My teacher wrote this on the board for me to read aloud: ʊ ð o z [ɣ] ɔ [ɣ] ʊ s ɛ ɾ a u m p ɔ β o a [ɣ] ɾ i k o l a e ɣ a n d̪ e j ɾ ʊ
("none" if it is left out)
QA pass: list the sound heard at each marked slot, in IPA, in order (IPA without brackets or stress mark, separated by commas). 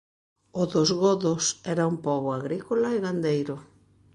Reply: ɣ, ð, ɣ